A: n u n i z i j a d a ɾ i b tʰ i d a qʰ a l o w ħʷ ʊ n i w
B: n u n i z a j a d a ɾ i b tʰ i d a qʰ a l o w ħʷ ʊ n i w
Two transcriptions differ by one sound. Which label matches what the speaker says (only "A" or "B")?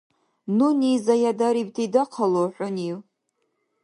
B